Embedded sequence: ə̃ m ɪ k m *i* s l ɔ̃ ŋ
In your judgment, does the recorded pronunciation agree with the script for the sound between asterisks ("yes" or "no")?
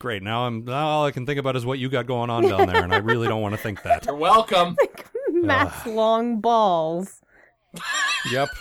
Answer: no